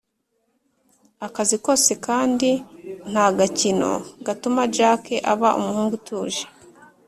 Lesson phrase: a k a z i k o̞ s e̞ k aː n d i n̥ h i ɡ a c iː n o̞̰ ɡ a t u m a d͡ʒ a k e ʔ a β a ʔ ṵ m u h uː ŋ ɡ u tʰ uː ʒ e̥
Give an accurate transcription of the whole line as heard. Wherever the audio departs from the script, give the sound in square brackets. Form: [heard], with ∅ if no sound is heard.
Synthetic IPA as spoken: a k a z i k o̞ s e̞ k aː n d i n̥ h [a] ɡ a c [i] n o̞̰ ɡ a t u m a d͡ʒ a k e ʔ a β a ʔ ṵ m u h uː ŋ ɡ u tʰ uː ʒ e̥